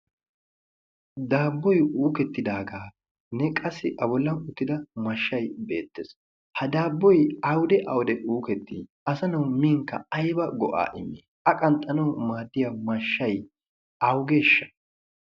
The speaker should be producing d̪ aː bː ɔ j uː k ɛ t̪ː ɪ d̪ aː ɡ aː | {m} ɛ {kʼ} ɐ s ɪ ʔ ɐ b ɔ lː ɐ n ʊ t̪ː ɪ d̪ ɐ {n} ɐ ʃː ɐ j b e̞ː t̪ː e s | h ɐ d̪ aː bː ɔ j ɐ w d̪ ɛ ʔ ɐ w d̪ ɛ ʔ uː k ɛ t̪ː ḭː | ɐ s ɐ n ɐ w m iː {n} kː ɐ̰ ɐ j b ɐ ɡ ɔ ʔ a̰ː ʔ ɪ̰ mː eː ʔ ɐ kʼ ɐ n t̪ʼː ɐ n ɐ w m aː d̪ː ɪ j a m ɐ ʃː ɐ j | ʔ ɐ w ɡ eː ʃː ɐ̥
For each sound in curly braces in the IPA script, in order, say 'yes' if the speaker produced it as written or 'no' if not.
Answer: no, yes, no, no

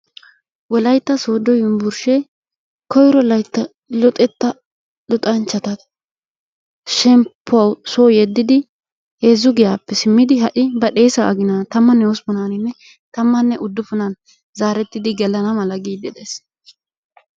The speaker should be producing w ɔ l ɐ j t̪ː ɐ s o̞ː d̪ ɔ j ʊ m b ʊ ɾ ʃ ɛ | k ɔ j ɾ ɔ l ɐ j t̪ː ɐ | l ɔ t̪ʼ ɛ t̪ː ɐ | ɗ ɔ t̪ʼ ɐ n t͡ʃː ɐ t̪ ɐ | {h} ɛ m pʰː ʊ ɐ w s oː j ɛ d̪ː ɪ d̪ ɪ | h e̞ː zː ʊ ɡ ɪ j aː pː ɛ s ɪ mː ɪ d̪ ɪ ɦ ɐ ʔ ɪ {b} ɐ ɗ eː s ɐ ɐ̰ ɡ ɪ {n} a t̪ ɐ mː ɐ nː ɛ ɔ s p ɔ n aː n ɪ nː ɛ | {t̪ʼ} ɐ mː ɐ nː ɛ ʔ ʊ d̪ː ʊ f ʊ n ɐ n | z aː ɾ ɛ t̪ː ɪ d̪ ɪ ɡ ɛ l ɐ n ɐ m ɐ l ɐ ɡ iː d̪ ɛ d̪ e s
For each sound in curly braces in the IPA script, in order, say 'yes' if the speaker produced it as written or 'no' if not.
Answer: no, yes, yes, no

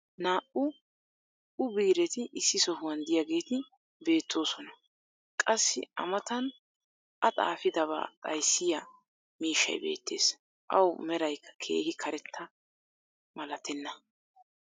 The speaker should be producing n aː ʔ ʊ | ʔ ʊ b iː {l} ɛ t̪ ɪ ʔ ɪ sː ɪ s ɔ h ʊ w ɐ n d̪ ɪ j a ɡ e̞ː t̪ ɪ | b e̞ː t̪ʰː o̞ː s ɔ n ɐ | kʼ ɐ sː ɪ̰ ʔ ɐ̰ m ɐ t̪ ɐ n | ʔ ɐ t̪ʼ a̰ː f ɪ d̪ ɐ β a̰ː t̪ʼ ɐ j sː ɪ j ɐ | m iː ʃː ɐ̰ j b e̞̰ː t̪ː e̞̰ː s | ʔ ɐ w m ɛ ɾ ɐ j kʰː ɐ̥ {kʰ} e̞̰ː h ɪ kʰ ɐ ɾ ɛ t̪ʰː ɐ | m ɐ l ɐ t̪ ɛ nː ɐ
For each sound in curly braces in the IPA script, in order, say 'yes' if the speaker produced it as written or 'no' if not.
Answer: no, yes

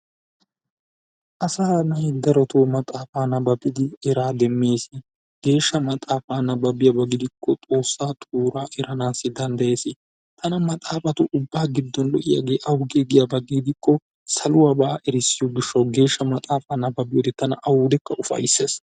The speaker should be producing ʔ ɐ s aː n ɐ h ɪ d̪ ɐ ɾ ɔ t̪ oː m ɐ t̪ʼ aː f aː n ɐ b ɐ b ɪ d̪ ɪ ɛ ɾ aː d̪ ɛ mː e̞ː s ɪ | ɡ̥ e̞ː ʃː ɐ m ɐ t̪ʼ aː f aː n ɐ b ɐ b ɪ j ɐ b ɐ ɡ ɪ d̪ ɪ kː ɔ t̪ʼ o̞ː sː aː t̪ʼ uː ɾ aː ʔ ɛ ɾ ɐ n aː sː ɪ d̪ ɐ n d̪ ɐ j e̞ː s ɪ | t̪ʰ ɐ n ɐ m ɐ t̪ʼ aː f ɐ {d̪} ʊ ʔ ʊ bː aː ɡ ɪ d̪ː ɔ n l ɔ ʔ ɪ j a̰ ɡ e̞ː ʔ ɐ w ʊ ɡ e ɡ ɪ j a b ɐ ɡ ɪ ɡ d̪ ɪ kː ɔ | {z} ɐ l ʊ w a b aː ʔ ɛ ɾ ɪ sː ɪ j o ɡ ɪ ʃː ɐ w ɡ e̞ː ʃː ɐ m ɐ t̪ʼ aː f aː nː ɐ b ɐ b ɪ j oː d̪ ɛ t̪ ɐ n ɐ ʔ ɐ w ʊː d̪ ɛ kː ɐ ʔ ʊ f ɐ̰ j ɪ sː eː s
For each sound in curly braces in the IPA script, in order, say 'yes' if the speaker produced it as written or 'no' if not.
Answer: no, no

